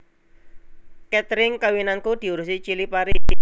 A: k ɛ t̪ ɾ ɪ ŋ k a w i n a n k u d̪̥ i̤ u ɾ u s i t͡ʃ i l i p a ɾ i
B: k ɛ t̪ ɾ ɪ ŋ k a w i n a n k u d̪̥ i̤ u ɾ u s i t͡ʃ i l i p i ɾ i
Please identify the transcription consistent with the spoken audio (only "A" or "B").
A